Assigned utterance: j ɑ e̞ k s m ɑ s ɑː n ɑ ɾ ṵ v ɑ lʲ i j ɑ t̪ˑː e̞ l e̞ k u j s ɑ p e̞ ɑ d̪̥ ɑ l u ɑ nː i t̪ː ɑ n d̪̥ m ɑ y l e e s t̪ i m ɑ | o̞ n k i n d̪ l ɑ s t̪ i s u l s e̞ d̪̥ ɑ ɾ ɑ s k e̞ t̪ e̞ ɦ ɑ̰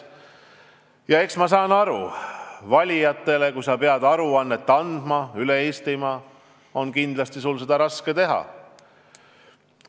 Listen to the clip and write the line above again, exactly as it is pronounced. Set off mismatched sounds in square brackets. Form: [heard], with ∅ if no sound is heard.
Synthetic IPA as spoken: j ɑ e̞ k s m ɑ s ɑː n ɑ ɾ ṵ v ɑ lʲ i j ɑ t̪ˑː e̞ l e̞ k u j s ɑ p e̞ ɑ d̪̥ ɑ [ɾ] u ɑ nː [e] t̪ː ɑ n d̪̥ m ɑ y l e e s t̪ i m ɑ | o̞ n k i n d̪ l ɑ s t̪ i s u l s e̞ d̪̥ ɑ ɾ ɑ s k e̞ t̪ e̞ ɦ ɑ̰